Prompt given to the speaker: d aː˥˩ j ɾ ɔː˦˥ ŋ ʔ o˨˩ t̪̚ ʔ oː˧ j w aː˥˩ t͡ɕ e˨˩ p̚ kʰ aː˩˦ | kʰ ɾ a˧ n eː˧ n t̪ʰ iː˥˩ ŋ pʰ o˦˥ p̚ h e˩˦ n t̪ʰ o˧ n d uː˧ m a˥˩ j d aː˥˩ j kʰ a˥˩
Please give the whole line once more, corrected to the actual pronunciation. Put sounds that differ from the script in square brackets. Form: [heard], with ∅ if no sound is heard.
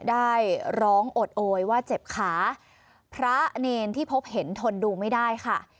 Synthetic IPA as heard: d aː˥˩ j ɾ ɔː˦˥ ŋ ʔ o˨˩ t̪̚ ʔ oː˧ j w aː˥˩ t͡ɕ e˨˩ p̚ kʰ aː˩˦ | [pʰ] ɾ [a˦˥] n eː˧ n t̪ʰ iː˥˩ [∅] pʰ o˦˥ p̚ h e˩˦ n t̪ʰ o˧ n d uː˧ m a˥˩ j d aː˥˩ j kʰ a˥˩